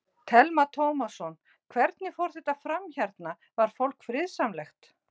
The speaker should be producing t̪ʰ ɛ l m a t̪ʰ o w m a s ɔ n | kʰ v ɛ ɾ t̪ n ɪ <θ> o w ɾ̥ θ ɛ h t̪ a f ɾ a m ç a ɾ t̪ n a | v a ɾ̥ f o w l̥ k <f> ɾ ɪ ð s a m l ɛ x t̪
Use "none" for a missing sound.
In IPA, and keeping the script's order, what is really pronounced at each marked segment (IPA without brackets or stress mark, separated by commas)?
f, f